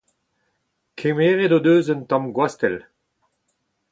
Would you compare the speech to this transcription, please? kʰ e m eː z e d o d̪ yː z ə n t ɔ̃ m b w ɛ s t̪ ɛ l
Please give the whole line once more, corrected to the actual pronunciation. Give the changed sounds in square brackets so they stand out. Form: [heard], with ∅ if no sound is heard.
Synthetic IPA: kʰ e m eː [ʁ] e d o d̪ [øː] z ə n t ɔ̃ m [ɡ] w [a] s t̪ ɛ l